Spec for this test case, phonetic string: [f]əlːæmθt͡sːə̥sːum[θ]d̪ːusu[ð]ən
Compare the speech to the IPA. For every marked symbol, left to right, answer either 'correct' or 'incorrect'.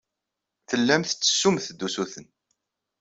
incorrect: θ, correct, incorrect: θ

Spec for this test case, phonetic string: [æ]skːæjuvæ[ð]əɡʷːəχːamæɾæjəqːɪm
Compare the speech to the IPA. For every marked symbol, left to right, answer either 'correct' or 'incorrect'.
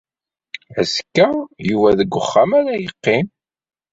correct, correct

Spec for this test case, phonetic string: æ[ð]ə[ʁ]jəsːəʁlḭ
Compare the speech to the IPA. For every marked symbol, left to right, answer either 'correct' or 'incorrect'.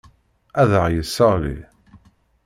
correct, correct

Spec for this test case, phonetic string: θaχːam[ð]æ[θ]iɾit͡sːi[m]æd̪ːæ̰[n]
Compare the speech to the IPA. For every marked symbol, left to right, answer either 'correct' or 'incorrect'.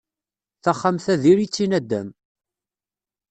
incorrect: θ, incorrect: ð, incorrect: n, incorrect: m

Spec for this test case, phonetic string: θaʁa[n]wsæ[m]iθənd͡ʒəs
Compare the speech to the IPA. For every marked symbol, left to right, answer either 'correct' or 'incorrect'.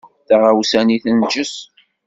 incorrect: none, incorrect: n

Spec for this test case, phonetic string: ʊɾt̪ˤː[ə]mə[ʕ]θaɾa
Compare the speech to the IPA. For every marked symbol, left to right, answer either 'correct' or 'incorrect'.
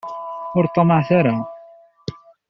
incorrect: ɑ, correct

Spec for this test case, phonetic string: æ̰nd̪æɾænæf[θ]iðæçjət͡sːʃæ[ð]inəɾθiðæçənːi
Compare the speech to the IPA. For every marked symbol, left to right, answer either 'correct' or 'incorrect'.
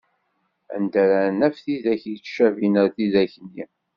correct, incorrect: v

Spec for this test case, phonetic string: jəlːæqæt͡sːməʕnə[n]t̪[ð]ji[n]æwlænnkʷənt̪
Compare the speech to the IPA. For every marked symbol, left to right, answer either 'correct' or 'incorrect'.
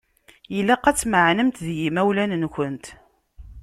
incorrect: m, correct, incorrect: m

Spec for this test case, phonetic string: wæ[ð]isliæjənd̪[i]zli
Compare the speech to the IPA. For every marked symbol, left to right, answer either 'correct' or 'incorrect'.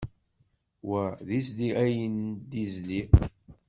correct, correct

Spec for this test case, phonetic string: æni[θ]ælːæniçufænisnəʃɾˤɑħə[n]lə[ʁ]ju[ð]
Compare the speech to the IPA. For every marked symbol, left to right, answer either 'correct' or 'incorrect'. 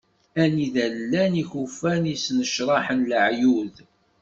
incorrect: ð, correct, incorrect: ʕ, correct

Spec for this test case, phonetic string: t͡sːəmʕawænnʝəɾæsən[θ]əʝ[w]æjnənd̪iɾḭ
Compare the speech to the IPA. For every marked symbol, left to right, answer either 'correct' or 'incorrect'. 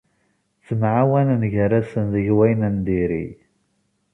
incorrect: ð, correct

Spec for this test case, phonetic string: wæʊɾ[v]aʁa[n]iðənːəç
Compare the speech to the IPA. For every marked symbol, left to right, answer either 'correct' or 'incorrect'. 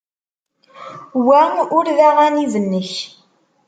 incorrect: ð, correct

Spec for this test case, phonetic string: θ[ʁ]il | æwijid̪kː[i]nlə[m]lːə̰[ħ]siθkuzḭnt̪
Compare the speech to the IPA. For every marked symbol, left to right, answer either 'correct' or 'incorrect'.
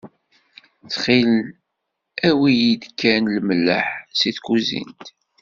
incorrect: χ, incorrect: æ, correct, correct

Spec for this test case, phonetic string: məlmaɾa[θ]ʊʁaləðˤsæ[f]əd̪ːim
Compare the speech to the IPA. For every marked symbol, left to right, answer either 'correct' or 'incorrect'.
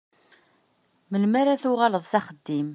correct, incorrect: χ

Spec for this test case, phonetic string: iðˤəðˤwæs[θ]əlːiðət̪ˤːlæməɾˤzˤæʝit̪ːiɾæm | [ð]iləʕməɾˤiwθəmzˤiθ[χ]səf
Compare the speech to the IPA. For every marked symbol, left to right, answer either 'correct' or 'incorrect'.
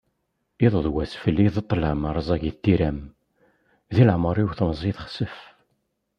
incorrect: f, correct, correct

